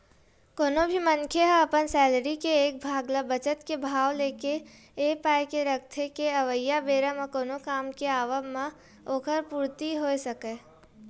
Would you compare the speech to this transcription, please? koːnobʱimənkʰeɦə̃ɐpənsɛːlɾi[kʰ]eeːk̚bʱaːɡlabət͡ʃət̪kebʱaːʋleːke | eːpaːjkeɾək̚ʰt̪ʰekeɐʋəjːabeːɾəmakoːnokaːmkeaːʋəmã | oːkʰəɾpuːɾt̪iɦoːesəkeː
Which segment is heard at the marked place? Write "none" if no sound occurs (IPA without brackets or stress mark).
k